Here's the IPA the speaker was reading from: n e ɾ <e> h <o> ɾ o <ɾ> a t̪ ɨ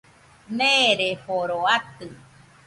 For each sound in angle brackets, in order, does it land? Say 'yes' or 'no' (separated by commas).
yes, yes, no